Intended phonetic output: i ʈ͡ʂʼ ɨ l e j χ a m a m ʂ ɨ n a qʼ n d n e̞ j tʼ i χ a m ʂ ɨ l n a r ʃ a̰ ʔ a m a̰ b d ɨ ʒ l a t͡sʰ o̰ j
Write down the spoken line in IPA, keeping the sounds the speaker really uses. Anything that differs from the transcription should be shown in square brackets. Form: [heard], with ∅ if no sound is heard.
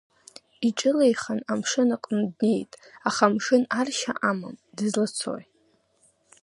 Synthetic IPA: i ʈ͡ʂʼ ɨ l e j χ a [n] a m ʂ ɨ n a qʼ n d n e̞ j tʼ [a] χ a m ʂ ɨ [∅] n a r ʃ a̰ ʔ a m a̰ [m] d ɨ [z] l a t͡sʰ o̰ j